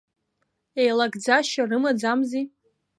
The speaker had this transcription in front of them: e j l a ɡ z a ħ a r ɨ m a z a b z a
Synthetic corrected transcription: e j l a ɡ d͡z a ʃ a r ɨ m a d͡z a m z i